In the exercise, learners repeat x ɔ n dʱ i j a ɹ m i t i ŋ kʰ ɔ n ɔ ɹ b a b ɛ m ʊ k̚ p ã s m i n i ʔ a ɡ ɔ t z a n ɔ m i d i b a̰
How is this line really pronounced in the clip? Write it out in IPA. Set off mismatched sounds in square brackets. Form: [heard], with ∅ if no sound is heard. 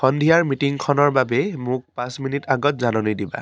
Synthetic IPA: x ɔ n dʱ i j a ɹ m i t i ŋ kʰ ɔ n ɔ ɹ b a b ɛ m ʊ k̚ p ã s m i n i [t] a ɡ ɔ t z a n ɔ [n] i d i b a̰